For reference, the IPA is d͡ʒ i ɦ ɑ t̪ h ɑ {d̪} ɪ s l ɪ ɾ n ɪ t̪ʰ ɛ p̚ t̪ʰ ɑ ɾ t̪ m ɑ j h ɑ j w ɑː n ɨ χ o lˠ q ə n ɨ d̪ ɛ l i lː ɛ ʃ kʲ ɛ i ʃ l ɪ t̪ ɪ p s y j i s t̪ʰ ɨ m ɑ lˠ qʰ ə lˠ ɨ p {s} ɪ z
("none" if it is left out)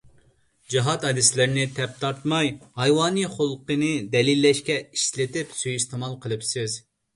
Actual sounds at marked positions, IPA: d̪, s

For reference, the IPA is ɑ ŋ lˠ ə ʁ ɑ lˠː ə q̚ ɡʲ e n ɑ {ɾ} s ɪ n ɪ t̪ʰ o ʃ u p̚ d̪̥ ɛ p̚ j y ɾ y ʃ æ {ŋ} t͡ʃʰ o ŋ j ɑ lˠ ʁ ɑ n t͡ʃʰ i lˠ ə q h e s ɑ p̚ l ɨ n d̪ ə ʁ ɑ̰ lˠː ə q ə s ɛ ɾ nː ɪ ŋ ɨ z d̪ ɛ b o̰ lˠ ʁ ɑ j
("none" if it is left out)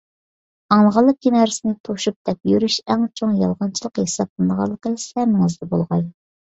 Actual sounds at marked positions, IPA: ɾ, ŋ

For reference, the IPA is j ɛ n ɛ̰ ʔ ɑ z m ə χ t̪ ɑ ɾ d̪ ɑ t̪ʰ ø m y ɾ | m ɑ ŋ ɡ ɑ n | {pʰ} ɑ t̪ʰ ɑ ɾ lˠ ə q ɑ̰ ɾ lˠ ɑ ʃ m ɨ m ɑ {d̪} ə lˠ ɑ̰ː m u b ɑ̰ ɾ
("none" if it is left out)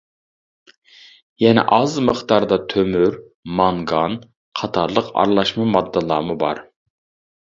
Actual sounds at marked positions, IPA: qʰ, d̪ː

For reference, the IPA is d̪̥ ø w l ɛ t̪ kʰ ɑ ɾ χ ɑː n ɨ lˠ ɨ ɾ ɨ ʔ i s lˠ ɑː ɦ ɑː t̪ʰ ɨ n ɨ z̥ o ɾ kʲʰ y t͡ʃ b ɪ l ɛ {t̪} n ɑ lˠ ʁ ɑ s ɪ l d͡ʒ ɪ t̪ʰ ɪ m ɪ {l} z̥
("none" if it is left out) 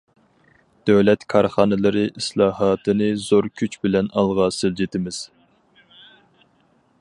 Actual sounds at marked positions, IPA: none, none

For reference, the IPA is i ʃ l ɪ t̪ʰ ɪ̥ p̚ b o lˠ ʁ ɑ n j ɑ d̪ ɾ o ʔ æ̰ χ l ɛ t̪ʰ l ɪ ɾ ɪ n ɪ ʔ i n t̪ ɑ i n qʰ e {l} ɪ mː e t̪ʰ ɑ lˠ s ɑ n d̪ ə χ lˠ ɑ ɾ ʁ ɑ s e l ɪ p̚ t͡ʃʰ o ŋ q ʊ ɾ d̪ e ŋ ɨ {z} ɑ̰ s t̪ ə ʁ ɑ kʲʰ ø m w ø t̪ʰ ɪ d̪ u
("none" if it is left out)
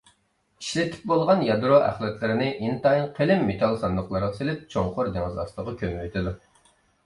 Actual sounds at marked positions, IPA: l, z

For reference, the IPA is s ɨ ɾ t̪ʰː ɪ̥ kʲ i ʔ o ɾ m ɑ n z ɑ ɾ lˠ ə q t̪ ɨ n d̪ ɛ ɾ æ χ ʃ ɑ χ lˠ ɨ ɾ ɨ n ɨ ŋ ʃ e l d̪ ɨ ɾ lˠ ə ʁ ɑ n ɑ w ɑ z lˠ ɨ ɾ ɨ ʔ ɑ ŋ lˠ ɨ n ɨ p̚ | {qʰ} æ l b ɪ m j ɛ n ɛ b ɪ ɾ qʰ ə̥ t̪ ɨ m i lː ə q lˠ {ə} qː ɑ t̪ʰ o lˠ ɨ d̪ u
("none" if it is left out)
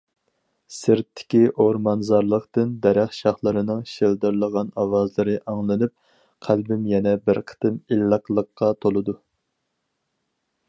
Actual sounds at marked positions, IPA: qʰ, ə

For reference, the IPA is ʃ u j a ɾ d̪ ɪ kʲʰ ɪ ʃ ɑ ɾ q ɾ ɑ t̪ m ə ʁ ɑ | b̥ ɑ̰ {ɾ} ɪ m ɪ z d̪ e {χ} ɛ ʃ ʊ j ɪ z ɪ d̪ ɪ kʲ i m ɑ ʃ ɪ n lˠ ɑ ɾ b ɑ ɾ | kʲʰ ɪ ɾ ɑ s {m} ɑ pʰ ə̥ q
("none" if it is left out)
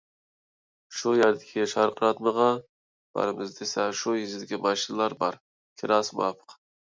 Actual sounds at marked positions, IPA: ɾ, s, m

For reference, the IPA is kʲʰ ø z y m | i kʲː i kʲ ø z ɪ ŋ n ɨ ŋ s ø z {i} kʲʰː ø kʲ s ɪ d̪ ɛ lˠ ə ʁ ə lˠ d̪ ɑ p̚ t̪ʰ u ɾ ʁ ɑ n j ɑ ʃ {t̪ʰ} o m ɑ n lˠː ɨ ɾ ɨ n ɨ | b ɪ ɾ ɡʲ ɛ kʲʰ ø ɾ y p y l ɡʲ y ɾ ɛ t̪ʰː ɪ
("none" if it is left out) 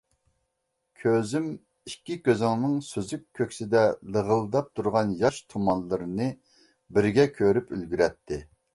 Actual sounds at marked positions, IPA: y, t̪ʰ

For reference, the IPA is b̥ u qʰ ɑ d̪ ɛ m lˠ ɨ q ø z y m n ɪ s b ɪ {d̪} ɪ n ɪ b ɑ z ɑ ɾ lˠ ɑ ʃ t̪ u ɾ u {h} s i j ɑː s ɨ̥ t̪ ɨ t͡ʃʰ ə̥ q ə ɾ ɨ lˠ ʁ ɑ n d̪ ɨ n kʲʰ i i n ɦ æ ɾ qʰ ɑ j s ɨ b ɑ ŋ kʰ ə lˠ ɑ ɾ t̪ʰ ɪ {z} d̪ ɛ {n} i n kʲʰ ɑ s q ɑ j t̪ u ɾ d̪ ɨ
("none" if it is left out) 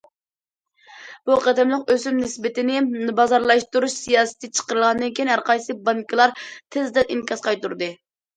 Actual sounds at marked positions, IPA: t̪, ʃ, z, n

